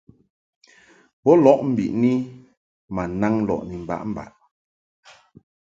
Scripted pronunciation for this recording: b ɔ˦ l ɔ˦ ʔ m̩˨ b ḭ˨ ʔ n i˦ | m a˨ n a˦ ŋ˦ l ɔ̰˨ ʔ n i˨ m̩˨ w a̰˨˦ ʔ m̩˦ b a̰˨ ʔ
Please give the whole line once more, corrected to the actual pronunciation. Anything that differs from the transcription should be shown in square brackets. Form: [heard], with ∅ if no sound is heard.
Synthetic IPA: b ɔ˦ l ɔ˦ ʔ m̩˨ b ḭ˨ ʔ n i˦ | m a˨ n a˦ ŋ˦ l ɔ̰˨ ʔ n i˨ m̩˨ [b] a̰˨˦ ʔ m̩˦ b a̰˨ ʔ